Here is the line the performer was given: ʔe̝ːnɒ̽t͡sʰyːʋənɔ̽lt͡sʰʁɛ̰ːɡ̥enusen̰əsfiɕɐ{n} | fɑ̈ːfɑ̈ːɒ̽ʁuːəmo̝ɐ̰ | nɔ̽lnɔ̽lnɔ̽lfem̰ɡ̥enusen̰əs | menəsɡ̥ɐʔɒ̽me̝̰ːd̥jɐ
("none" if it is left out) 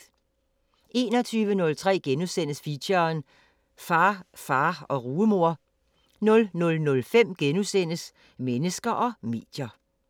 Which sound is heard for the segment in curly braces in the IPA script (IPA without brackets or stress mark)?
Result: n